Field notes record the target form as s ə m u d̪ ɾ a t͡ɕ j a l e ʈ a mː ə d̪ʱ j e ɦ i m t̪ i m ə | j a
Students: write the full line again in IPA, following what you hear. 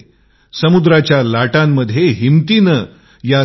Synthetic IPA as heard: s ə m u d̪ ɾ a t͡ɕ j a l a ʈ a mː ə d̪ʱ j e ɦ i m t̪ i n ə | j a